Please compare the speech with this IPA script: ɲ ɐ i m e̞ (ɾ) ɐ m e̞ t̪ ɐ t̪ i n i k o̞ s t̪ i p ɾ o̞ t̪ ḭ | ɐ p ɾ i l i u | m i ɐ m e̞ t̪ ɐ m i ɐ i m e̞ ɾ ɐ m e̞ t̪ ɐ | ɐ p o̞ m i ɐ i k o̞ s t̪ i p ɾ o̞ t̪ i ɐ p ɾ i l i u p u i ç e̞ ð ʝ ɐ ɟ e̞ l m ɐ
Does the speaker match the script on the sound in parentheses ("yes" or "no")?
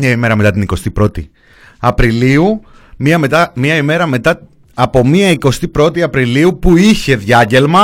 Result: yes